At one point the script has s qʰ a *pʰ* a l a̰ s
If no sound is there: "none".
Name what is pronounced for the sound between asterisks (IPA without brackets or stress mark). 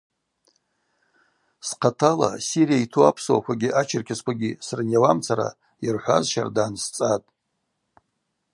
tʰ